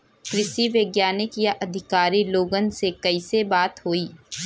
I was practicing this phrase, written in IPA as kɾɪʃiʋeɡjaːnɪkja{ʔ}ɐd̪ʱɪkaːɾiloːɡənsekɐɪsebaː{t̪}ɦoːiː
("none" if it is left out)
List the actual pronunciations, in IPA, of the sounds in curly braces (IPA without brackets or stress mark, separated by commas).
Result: ʔ, t̪